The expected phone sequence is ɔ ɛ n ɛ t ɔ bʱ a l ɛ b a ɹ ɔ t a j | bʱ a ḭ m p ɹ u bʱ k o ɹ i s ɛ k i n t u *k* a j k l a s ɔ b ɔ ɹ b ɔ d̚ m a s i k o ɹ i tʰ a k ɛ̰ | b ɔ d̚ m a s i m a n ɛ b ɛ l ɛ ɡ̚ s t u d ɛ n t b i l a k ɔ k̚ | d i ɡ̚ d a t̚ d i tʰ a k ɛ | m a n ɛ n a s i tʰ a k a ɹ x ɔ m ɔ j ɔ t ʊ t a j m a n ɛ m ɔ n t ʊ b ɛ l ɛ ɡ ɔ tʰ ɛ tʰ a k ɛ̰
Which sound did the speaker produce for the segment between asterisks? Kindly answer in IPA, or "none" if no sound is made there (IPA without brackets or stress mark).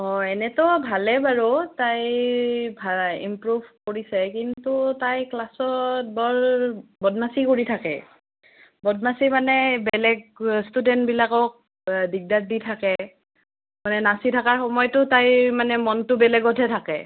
t